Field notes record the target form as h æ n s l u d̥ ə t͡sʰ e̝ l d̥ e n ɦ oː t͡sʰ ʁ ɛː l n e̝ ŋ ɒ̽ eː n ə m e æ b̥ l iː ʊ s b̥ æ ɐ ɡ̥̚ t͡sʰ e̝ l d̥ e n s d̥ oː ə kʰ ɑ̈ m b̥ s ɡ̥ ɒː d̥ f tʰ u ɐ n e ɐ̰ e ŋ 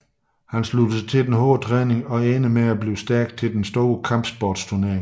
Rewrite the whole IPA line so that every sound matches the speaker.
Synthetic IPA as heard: h æ n s l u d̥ ə t͡sʰ e̝ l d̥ e n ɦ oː t͡sʰ ʁ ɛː n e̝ ŋ ɒ̽ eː n ə m e æ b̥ l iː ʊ s d̥ æ ɐ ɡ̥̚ t͡sʰ e̝ l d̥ e n s d̥ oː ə kʰ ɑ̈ m b̥ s b̥ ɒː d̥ s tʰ u ɐ n e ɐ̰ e ŋ